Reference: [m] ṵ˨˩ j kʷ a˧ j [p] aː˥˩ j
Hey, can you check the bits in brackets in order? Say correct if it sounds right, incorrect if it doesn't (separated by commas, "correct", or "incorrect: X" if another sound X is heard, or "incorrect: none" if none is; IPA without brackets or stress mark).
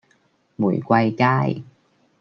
correct, incorrect: k